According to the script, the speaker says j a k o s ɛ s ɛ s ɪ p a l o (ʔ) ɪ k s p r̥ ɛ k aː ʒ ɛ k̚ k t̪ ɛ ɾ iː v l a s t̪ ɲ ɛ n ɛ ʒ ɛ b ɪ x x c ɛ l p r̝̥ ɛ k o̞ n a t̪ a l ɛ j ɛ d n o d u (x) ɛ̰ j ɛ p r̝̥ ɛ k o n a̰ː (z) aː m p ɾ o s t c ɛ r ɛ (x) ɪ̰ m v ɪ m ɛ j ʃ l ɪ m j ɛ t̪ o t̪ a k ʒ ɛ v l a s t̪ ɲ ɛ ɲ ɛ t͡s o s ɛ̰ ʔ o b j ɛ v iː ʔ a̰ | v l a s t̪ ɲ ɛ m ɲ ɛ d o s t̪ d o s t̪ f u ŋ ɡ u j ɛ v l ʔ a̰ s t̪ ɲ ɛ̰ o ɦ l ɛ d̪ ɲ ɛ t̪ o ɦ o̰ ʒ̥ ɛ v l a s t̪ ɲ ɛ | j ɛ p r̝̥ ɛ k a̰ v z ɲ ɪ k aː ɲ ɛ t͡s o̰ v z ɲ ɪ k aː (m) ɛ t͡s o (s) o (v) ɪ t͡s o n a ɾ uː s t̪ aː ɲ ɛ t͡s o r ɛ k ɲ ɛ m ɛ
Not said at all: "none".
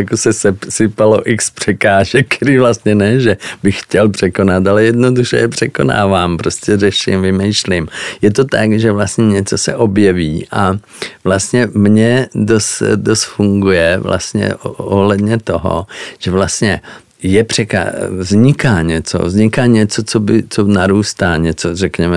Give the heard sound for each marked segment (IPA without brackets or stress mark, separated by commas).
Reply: ʔ, ʃ, v, ʃ, ɲ, t͡s, b